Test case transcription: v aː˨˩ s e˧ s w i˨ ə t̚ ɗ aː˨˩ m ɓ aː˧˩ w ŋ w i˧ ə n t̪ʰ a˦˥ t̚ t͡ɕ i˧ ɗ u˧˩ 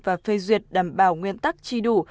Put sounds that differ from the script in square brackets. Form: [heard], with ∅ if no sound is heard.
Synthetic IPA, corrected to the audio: v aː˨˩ [f] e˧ [z] w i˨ ə t̚ ɗ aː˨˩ m ɓ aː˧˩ w ŋ w i˧ ə n [t̪] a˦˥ [k̚] t͡ɕ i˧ ɗ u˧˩